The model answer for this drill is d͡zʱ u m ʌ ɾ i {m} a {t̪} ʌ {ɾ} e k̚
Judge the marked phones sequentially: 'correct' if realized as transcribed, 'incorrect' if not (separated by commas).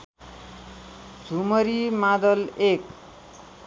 correct, incorrect, incorrect